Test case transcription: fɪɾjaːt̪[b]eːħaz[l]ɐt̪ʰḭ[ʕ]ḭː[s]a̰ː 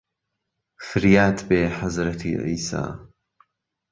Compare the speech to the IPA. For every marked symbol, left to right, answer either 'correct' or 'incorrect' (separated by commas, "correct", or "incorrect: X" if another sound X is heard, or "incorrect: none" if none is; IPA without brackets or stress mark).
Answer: correct, incorrect: ɾ, correct, correct